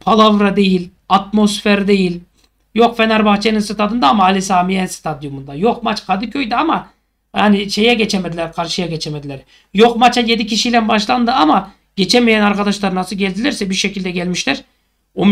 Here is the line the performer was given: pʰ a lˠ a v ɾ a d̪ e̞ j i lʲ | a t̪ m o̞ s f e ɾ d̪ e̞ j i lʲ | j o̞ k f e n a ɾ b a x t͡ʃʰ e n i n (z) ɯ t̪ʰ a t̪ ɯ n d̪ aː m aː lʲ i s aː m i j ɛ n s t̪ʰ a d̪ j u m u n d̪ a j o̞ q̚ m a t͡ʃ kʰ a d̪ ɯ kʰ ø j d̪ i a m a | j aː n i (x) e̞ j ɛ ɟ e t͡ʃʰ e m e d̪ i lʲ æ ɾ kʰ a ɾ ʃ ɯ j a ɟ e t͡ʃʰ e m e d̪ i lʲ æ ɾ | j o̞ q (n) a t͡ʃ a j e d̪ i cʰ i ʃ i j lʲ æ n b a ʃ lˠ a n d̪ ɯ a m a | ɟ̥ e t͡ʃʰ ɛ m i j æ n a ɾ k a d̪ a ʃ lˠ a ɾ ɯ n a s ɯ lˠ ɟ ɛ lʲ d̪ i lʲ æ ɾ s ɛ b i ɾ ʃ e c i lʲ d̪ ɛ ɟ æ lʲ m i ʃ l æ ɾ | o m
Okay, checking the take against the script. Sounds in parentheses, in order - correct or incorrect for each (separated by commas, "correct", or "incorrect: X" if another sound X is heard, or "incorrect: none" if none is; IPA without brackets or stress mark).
incorrect: s, incorrect: ʃ, incorrect: m